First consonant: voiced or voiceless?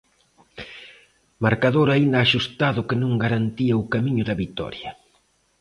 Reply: voiced